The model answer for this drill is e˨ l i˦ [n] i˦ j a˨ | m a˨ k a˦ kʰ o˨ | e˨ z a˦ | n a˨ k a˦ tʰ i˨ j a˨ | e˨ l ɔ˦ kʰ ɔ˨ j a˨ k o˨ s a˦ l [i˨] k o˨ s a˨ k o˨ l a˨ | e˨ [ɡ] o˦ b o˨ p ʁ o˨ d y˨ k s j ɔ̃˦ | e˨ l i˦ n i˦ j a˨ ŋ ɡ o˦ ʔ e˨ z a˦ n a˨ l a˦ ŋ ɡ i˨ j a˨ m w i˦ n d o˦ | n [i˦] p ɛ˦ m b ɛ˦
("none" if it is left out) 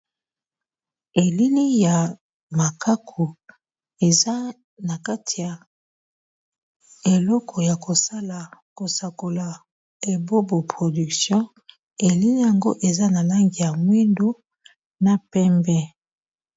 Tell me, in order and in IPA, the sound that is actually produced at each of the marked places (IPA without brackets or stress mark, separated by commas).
n, a˨, b, a˦